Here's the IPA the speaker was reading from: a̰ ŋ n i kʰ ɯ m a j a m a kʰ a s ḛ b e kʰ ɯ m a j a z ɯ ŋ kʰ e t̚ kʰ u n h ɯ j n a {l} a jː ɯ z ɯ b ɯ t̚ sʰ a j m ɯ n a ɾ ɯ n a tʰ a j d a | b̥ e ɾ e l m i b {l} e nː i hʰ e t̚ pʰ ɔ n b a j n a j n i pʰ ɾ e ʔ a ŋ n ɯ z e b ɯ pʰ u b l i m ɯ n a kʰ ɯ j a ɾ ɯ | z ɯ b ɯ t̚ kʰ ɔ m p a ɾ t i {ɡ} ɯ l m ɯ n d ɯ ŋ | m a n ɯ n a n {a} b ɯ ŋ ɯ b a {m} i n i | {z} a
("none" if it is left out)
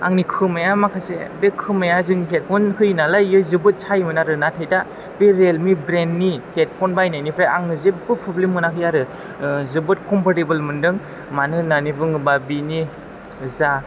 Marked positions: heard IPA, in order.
l, ɾ, b, i, b, z

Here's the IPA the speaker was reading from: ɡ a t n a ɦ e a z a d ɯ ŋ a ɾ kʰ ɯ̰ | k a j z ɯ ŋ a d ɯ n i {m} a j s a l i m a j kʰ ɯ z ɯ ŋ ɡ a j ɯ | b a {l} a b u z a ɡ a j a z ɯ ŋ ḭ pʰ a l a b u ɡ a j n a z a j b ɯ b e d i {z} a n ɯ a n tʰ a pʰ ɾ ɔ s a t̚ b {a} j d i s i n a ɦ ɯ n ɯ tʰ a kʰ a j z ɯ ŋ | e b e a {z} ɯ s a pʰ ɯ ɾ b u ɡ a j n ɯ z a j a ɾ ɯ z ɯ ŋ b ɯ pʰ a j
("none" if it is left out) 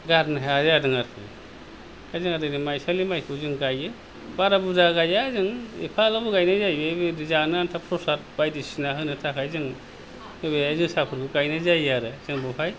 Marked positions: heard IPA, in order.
m, ɾ, z, a, z

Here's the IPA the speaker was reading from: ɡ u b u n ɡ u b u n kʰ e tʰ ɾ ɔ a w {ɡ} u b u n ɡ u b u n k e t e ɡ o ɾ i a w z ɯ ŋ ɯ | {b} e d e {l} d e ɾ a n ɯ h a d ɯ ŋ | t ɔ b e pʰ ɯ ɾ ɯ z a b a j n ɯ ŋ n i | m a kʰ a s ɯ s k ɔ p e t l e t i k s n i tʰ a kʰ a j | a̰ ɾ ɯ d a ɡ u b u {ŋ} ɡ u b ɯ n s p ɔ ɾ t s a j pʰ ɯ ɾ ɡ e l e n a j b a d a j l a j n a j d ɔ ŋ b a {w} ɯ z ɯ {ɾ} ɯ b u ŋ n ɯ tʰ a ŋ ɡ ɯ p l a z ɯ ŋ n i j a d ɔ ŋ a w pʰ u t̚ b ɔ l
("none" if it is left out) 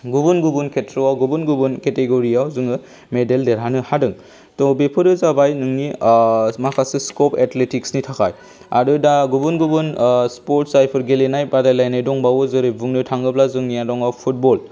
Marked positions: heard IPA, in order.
ɡ, m, l, n, w, ɾ

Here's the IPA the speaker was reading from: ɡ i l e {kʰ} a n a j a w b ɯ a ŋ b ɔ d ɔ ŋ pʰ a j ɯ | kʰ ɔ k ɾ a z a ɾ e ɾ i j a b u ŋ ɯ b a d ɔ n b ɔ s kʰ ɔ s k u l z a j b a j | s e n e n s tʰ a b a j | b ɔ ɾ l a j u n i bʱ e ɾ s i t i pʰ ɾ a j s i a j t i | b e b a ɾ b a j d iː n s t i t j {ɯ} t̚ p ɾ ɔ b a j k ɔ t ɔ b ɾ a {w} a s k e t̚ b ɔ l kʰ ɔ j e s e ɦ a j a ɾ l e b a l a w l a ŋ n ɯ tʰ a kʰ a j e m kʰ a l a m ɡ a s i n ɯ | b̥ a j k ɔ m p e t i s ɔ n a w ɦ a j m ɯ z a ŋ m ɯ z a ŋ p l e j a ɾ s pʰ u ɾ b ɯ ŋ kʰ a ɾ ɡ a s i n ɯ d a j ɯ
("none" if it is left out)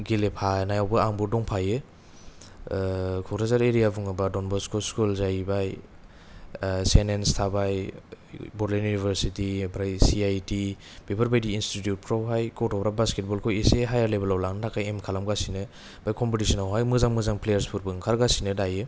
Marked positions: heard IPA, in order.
pʰ, u, b

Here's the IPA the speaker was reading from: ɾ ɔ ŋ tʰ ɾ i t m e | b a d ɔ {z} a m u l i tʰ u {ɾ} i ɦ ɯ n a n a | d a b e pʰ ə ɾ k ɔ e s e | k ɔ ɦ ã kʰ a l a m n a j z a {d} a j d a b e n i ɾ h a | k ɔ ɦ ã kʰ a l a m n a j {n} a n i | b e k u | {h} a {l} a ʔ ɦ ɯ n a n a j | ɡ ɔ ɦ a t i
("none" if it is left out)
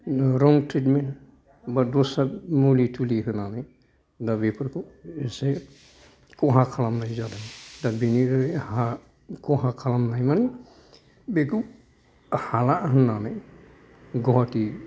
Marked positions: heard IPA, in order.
s, l, d, m, h, l

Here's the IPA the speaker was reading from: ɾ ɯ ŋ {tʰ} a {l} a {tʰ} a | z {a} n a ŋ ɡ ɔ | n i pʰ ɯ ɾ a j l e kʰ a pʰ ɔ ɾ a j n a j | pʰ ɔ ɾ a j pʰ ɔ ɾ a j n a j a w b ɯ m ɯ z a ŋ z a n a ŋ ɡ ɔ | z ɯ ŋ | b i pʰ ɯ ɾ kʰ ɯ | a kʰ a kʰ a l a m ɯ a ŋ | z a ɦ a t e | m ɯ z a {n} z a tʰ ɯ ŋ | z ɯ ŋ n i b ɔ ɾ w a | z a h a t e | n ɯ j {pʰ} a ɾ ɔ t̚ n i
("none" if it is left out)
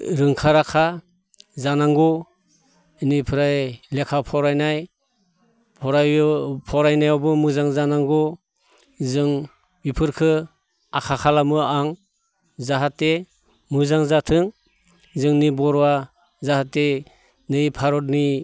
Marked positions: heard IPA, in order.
kʰ, ɾ, kʰ, a, ŋ, pʰ

